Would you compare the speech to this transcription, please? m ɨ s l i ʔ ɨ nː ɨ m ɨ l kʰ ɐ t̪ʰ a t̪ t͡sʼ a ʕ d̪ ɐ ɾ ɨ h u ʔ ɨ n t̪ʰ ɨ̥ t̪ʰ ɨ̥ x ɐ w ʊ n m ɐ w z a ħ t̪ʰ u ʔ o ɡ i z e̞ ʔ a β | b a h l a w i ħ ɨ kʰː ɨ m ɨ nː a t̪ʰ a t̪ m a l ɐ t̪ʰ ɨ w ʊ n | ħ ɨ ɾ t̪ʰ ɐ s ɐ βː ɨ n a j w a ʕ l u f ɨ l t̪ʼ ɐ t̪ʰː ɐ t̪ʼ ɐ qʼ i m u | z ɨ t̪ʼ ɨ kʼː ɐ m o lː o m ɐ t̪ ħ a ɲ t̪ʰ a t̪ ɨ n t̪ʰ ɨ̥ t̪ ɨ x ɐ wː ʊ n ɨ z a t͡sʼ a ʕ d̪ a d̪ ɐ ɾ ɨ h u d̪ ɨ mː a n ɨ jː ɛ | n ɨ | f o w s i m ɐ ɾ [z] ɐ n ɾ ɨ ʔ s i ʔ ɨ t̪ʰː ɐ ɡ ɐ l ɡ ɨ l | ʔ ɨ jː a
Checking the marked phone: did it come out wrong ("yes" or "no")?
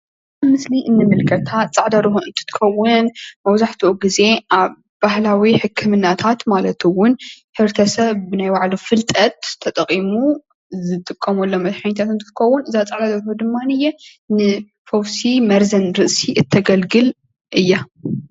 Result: no